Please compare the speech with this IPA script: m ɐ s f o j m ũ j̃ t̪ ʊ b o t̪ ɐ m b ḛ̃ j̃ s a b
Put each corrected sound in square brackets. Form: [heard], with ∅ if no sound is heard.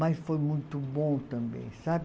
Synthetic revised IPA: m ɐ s f o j m ũ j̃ t̪ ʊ b [õ] t̪ [ɐ̃] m b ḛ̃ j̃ s a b